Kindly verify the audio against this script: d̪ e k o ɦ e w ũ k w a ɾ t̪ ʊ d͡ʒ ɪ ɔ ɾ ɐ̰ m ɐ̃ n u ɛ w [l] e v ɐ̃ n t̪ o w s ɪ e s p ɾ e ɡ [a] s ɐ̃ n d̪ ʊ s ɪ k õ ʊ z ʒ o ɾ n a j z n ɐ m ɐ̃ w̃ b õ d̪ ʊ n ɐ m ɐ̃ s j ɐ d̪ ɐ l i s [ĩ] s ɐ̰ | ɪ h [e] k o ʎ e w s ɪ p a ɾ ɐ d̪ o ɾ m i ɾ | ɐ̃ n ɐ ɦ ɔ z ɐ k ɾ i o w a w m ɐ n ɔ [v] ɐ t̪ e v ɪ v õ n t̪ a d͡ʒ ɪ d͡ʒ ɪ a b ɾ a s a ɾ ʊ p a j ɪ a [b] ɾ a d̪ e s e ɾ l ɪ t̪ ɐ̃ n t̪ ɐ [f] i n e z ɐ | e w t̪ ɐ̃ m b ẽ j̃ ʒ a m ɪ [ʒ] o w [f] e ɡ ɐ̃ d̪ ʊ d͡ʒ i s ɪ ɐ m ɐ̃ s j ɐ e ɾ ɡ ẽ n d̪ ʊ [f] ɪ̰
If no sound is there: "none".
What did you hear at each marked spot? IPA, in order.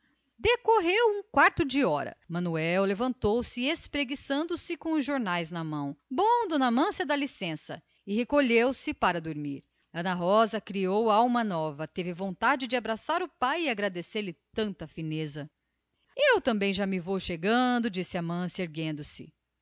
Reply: l, i, ẽ, e, v, ɡ, f, v, ʃ, s

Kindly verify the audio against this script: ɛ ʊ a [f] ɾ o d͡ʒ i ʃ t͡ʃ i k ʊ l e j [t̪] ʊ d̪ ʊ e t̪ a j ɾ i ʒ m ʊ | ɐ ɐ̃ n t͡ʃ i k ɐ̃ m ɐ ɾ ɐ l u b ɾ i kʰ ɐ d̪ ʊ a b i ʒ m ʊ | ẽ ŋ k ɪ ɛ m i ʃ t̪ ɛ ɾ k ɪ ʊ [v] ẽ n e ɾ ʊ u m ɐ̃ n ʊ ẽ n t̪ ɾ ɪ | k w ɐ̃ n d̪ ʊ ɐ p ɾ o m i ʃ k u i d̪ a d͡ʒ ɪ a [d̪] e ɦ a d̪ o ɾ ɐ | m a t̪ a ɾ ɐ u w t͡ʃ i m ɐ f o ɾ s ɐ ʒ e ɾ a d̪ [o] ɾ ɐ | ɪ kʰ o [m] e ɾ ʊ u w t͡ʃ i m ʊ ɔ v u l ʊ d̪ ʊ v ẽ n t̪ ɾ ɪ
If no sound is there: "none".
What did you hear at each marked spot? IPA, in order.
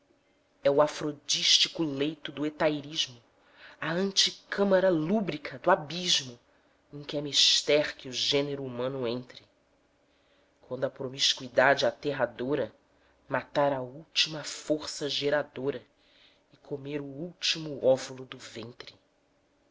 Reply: f, t̪, ʒ, t̪, o, m

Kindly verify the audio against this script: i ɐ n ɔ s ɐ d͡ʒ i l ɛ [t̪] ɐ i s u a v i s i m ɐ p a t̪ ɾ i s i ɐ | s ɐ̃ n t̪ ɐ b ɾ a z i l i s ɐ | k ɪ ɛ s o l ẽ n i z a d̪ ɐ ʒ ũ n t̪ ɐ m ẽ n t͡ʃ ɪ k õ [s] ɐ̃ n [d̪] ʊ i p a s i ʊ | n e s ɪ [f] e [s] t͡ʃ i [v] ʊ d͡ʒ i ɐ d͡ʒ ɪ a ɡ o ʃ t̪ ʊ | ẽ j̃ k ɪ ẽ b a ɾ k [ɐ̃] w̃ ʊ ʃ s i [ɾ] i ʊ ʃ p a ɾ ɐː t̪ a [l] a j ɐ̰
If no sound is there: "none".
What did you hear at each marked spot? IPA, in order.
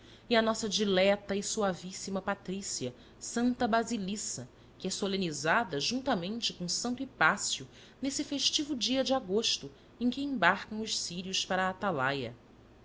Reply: t̪, s, t̪, f, ʃ, v, ɐ̃, ɾ, l

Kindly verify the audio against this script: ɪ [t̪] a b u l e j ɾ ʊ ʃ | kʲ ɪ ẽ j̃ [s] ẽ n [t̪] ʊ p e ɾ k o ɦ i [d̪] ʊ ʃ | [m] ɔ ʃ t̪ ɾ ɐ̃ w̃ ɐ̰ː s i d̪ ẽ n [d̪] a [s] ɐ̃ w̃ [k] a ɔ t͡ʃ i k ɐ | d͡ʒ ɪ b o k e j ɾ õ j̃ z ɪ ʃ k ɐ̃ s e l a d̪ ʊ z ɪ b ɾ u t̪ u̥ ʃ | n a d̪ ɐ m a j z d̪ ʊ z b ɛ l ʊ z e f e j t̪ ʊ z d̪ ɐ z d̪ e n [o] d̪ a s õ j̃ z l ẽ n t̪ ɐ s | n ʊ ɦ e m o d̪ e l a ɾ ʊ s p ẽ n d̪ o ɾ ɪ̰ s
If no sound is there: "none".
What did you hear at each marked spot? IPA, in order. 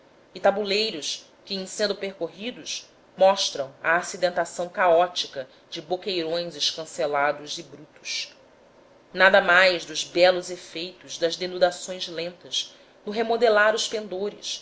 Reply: t̪, s, d̪, d̪, m, t̪, s, k, u

